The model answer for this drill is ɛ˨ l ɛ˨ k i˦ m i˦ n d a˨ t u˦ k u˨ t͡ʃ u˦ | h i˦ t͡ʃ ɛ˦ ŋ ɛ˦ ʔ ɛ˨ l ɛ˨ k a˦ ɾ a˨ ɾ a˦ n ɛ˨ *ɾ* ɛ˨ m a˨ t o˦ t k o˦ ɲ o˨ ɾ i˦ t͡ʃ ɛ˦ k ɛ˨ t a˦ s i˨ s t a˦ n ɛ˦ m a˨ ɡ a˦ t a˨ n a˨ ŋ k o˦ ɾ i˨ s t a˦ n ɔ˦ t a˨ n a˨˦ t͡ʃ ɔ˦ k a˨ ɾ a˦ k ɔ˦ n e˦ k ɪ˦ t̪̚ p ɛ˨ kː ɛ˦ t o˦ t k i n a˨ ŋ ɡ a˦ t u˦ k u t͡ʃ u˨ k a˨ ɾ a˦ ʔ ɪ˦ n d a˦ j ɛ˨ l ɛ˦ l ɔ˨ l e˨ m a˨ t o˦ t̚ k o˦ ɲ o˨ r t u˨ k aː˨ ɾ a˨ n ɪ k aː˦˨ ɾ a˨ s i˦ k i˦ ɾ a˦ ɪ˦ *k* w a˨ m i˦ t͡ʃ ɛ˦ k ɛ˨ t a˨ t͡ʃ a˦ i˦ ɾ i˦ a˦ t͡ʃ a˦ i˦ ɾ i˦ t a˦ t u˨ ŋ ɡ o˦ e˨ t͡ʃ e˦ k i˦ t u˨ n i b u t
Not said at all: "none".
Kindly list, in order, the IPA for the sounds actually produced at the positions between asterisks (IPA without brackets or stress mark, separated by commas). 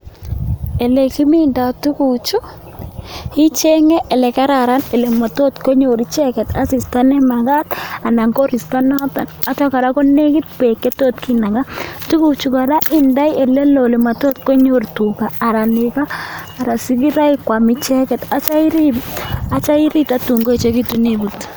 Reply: l, k